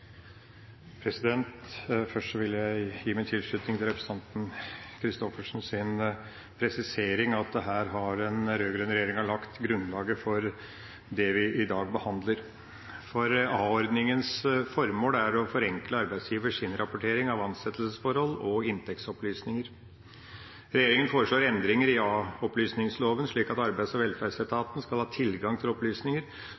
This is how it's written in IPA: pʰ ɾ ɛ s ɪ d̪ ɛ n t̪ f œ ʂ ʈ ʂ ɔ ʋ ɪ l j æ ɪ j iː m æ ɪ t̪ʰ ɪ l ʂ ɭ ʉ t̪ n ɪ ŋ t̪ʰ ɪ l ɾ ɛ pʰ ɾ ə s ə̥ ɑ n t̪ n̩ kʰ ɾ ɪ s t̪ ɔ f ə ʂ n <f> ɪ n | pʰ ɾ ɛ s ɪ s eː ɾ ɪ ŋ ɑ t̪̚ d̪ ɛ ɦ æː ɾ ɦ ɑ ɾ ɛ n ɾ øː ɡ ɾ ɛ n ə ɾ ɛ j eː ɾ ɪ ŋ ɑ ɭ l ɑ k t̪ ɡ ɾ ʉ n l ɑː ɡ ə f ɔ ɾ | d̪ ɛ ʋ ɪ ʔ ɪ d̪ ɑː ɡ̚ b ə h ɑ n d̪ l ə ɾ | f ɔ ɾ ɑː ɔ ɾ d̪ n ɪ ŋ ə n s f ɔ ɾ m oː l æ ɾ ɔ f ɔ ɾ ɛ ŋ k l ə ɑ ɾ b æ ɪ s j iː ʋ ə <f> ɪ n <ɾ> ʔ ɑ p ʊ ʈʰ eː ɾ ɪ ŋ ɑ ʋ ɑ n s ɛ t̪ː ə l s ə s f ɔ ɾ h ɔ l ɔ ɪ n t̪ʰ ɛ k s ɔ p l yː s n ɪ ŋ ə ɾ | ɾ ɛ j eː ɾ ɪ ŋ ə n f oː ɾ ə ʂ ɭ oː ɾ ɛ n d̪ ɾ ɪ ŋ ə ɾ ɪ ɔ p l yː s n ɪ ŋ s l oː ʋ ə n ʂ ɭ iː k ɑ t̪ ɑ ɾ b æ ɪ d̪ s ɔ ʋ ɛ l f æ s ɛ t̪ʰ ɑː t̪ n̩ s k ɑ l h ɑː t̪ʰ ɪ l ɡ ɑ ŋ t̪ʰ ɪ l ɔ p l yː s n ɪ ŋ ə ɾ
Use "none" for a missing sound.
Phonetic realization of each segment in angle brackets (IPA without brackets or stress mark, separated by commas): s, ʂ, ɾ